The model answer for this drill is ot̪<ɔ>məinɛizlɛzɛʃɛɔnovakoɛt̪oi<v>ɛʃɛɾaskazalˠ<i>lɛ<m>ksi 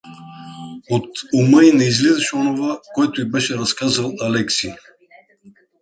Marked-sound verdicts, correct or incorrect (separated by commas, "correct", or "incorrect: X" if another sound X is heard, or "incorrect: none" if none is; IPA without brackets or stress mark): incorrect: u, incorrect: b, incorrect: a, incorrect: none